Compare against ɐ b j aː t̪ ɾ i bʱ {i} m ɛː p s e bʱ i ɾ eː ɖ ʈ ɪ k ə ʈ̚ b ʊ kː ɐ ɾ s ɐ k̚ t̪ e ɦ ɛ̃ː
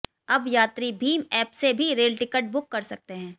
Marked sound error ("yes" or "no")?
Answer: yes